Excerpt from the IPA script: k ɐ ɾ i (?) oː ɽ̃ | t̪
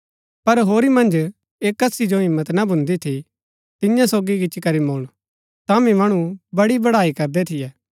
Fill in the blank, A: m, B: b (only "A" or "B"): A